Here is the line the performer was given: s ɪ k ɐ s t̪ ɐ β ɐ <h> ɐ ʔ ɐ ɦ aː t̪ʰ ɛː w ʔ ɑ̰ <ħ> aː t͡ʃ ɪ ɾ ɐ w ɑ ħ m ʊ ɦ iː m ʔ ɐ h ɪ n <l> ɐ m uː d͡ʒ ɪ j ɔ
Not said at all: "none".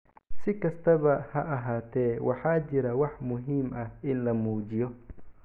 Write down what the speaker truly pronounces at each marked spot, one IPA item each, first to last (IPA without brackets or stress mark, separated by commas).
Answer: h, ħ, l